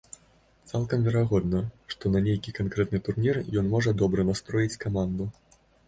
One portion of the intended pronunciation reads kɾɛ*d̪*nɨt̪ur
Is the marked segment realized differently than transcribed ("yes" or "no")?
yes